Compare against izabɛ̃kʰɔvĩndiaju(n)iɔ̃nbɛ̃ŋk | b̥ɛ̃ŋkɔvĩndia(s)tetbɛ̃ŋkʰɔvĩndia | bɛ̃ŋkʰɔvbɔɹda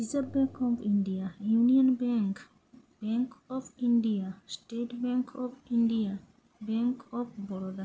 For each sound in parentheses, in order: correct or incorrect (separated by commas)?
correct, correct